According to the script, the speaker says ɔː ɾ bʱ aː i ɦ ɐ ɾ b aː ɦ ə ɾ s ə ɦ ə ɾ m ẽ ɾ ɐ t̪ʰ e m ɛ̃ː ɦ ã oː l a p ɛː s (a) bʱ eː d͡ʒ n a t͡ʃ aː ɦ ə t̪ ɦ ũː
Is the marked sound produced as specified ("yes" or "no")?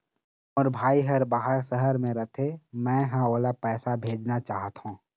yes